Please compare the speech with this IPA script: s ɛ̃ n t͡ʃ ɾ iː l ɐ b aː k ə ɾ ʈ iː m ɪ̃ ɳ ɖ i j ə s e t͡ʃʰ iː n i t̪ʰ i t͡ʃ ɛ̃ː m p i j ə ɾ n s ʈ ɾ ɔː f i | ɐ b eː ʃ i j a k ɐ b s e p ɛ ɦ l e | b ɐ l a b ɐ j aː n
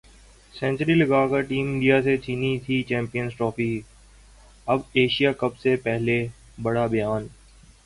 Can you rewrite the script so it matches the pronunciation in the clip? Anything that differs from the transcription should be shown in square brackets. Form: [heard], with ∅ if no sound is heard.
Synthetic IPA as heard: s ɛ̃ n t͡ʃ ɾ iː l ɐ [ɡ] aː k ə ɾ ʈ iː m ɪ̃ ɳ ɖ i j [a] s e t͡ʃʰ iː n i t̪ʰ i t͡ʃ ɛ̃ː m p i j ə [∅] n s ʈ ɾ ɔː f i | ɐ b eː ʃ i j a k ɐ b s e p ɛ ɦ l e | b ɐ [ɽ] a b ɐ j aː n